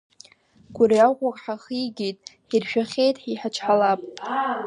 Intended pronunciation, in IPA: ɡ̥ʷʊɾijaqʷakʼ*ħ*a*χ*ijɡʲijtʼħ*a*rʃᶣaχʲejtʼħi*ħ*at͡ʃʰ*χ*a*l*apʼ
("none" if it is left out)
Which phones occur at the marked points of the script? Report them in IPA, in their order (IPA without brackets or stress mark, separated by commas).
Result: ħ, χ, i, ħ, ħ, l